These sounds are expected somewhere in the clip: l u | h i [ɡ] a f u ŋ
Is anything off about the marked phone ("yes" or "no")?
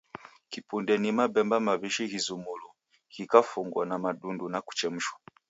yes